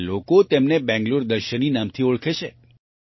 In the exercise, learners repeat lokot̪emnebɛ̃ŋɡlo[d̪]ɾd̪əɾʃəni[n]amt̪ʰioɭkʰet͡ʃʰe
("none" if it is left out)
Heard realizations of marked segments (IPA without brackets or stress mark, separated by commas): none, n